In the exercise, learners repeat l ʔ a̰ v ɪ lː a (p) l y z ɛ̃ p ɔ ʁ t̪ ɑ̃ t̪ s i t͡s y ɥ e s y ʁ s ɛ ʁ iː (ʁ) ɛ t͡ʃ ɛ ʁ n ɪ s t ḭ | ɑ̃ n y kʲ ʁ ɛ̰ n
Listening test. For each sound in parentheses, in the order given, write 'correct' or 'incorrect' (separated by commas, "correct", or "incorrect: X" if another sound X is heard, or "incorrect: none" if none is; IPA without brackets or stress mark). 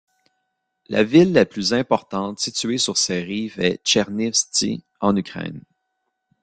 correct, incorrect: v